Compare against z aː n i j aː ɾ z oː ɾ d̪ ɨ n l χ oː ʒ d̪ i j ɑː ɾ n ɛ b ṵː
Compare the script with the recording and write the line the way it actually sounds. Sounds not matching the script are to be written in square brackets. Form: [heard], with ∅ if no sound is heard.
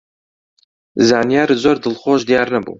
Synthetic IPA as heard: z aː n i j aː ɾ z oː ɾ d̪ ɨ [∅] l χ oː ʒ d̪ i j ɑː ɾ n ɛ b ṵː